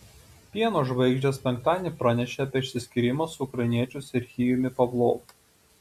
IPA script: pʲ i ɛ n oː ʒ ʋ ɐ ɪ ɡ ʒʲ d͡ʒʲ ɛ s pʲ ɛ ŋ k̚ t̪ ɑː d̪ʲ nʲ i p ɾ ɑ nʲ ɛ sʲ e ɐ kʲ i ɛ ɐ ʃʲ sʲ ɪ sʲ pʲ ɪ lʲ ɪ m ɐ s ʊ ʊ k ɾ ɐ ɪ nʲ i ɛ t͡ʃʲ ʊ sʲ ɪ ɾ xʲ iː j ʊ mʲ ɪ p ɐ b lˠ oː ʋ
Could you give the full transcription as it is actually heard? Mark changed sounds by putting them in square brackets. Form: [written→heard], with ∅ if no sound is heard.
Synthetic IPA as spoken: pʲ i ɛ n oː ʒ ʋ ɐ ɪ ɡ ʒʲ d͡ʒʲ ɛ s pʲ ɛ ŋ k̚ t̪ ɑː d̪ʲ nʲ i p ɾ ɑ nʲ ɛ [sʲ→ʃʲ] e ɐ [kʲ→pʲ] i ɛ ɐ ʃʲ sʲ ɪ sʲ [pʲ→kʲ] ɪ [lʲ→ɾʲ] ɪ m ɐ s ʊ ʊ k ɾ ɐ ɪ nʲ i ɛ t͡ʃʲ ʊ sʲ ɪ ɾ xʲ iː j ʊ mʲ ɪ p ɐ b lˠ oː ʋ